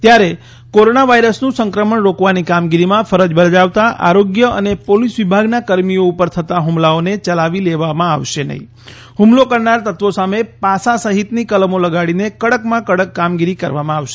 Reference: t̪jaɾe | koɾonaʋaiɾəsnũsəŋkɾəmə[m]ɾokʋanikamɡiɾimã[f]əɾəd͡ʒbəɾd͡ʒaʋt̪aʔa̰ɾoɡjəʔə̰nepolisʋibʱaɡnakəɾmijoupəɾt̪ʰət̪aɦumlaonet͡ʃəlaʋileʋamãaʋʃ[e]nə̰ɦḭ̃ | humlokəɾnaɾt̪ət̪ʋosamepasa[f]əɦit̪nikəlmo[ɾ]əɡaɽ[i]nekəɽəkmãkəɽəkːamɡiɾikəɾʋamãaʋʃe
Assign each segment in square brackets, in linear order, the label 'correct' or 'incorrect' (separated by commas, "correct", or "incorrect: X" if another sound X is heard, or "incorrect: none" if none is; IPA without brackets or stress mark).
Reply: incorrect: ɳ, correct, correct, incorrect: s, incorrect: l, correct